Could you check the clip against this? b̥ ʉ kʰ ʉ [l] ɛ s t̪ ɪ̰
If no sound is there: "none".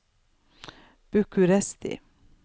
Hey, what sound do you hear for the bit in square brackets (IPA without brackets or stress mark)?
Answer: ɾ